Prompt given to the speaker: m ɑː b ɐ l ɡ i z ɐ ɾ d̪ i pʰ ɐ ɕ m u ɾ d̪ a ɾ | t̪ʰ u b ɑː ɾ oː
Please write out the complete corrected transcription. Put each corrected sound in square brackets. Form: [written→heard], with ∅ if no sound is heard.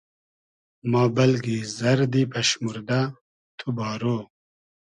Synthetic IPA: m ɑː b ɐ l ɡ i z ɐ ɾ d̪ i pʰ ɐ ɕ m u ɾ d̪ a [ɾ→∅] | t̪ʰ u b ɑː ɾ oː